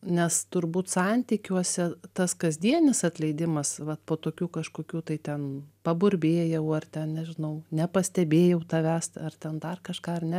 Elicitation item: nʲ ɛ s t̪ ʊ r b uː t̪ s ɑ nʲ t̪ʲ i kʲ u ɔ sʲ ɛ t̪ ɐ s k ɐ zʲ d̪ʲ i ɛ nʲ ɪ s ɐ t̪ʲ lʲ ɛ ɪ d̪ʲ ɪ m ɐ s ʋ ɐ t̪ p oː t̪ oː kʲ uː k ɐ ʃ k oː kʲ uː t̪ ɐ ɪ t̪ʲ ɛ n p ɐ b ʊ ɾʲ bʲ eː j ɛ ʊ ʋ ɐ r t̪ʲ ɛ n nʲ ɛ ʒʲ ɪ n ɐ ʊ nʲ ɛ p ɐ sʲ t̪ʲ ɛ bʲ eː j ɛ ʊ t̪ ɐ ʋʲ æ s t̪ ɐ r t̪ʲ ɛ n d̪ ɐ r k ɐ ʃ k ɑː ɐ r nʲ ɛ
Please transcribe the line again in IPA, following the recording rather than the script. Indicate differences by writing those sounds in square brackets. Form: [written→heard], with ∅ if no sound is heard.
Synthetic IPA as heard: nʲ ɛ s t̪ ʊ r b uː t̪ s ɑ nʲ t̪ʲ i kʲ u ɔ sʲ ɛ t̪ ɐ s k ɐ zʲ d̪ʲ i ɛ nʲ ɪ s ɐ t̪ʲ lʲ ɛ ɪ d̪ʲ ɪ m ɐ s ʋ ɐ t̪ p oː t̪ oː kʲ uː k ɐ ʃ k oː kʲ uː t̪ ɐ ɪ t̪ʲ ɛ n p ɐ b ʊ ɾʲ bʲ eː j ɛ ʊ [ʋ→∅] ɐ r t̪ʲ ɛ n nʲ ɛ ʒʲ ɪ n ɐ ʊ nʲ ɛ p ɐ sʲ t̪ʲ ɛ bʲ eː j ɛ ʊ t̪ ɐ ʋʲ æ s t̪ ɐ r t̪ʲ ɛ n d̪ ɐ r k ɐ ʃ k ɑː ɐ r nʲ ɛ